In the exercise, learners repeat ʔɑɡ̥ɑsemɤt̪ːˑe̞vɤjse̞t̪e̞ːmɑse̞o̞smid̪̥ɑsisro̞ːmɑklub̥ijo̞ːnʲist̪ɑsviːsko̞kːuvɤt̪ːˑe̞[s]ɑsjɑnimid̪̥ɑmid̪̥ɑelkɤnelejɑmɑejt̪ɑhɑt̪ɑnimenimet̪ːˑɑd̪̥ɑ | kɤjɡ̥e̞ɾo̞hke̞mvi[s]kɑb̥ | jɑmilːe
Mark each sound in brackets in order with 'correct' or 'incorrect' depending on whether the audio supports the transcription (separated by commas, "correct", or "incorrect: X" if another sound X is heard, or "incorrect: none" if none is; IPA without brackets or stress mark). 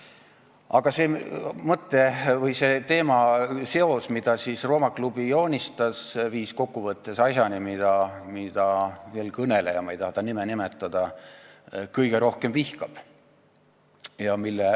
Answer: correct, incorrect: h